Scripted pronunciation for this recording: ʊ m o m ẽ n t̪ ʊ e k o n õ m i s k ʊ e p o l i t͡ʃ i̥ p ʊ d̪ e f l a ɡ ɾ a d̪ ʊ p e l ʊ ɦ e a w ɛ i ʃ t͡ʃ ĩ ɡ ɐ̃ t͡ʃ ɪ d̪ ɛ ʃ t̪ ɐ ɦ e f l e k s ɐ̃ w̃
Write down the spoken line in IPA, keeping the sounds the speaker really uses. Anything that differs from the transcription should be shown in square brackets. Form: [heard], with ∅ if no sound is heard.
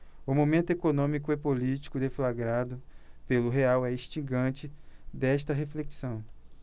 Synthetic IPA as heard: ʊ m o m ẽ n t̪ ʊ e k o n õ m i [∅] k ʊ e p o l i t͡ʃ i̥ [k] ʊ d̪ e f l a ɡ ɾ a d̪ ʊ p e l ʊ ɦ e a w ɛ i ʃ t͡ʃ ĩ ɡ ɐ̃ t͡ʃ ɪ d̪ ɛ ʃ t̪ ɐ ɦ e f l e k s ɐ̃ w̃